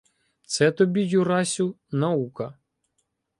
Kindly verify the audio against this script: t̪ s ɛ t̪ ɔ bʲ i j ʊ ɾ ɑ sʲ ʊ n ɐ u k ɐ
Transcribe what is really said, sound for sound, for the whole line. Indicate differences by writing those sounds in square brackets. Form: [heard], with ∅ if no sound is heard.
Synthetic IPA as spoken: t̪ s ɛ t̪ ɔ bʲ i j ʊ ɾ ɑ sʲ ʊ n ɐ u k ɐ

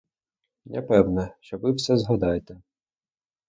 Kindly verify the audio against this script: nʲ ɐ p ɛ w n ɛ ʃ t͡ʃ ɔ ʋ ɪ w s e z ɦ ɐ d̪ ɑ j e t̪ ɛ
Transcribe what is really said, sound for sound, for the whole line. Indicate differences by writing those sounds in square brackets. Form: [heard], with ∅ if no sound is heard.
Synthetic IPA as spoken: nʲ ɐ p ɛ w n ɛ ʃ t͡ʃ ɔ ʋ ɪ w s [ɛ] z ɦ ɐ d̪ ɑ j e t̪ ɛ

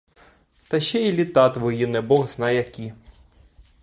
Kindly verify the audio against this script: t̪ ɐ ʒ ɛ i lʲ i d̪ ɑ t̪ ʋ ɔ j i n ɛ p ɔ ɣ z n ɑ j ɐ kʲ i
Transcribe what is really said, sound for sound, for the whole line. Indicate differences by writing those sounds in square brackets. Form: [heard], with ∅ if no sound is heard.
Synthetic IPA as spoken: t̪ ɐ [ʃ] ɛ i lʲ i [t̪] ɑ t̪ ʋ ɔ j i n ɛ [b] ɔ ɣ z n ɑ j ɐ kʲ i

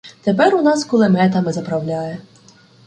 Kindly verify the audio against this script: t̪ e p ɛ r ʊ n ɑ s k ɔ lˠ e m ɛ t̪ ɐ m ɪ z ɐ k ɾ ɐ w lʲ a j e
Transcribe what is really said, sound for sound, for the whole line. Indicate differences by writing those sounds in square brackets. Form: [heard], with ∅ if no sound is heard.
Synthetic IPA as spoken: t̪ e p ɛ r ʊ n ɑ s k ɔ lˠ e m ɛ t̪ ɐ m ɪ z ɐ [p] ɾ ɐ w lʲ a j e

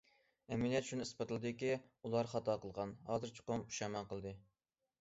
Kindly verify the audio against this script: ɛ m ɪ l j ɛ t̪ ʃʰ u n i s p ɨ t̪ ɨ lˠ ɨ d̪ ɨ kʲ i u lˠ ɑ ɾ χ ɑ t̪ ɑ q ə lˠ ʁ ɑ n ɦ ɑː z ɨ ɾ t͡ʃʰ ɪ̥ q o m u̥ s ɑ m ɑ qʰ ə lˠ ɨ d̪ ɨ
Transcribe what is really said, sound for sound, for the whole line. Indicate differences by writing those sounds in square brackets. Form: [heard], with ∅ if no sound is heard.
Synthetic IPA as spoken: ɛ m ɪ l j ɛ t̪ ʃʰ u n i s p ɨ t̪ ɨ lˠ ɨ d̪ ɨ kʲ i u lˠ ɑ ɾ χ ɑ t̪ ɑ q ə lˠ ʁ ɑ n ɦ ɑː z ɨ ɾ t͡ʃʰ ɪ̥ q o m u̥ [ʃ] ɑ m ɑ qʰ ə lˠ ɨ d̪ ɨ

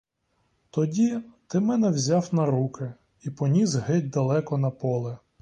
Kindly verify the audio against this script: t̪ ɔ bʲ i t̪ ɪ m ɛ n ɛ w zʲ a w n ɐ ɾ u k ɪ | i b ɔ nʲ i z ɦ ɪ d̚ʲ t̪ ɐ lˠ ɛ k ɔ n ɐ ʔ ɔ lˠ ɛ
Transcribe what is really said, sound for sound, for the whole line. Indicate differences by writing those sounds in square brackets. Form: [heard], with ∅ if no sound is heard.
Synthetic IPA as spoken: t̪ ɔ [dʲ] i t̪ ɪ m ɛ n ɛ w zʲ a w n ɐ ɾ u k ɪ | i [p] ɔ nʲ i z ɦ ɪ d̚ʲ [d̪] ɐ lˠ ɛ k ɔ n ɐ [p] ɔ lˠ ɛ

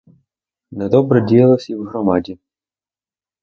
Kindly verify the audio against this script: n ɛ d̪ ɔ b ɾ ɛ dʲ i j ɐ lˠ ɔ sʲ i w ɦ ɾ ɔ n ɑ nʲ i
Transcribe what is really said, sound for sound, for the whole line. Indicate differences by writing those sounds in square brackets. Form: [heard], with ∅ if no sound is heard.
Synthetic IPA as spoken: n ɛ d̪ ɔ b ɾ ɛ dʲ i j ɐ lˠ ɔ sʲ i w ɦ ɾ ɔ [m] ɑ [dʲ] i

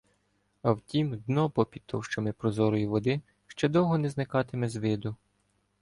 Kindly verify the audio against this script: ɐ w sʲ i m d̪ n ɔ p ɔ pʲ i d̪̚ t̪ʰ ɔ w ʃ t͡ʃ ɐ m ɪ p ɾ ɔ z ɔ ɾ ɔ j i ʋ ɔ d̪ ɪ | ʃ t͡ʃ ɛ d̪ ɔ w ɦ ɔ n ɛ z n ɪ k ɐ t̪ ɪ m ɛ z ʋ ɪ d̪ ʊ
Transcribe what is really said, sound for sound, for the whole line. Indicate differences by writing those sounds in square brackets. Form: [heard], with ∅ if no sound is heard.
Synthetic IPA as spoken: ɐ w [tʲ] i m d̪ n ɔ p ɔ pʲ i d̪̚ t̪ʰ ɔ w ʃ t͡ʃ ɐ m ɪ p ɾ ɔ z ɔ ɾ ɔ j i ʋ ɔ d̪ ɪ | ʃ t͡ʃ ɛ d̪ ɔ w ɦ ɔ n ɛ z n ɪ k [ɑ] t̪ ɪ m ɛ z ʋ ɪ d̪ ʊ

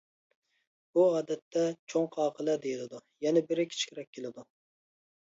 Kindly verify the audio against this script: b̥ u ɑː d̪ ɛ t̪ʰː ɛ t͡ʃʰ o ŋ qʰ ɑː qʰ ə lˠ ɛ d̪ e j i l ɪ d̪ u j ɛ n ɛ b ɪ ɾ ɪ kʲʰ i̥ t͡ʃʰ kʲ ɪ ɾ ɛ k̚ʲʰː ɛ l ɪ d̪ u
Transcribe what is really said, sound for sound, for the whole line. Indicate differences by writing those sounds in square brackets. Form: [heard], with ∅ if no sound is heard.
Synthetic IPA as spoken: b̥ u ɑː d̪ ɛ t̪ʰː ɛ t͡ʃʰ o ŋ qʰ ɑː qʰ ə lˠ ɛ d̪ e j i l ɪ d̪ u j ɛ n ɛ b ɪ ɾ ɪ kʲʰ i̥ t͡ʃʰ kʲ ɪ ɾ ɛ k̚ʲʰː [e] l ɪ d̪ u

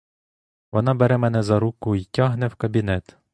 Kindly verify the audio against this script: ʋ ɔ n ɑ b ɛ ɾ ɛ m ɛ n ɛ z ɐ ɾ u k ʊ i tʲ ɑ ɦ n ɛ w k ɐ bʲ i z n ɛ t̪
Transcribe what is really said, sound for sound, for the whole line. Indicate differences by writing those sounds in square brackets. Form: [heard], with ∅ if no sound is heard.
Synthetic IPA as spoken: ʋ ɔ n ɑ b ɛ ɾ ɛ m ɛ n ɛ z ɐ ɾ u k ʊ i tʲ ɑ ɦ n ɛ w k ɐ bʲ i [∅] n ɛ t̪

